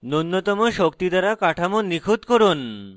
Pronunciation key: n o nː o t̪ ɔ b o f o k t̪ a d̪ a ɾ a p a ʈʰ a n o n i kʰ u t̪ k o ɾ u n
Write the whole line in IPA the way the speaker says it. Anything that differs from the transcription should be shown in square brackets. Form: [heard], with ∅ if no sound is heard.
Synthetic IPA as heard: n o nː o t̪ ɔ [m] o [ʃ] o k t̪ [i] d̪ a ɾ a [k] a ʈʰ a [m] o n i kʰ u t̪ k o ɾ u n